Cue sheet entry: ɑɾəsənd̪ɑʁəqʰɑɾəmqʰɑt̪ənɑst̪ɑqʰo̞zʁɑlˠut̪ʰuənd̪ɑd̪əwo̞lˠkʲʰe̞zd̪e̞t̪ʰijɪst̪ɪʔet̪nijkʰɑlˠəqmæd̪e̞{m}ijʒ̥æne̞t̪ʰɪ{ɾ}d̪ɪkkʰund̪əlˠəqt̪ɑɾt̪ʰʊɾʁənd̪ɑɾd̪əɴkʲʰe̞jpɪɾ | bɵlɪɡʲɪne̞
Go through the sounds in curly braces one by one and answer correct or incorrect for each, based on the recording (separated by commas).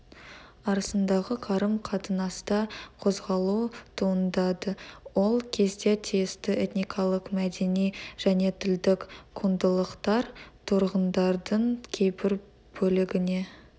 incorrect, incorrect